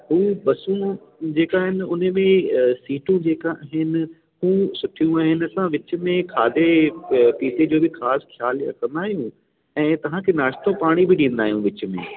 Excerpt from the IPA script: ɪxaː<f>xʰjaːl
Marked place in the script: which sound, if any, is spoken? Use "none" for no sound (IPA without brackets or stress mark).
s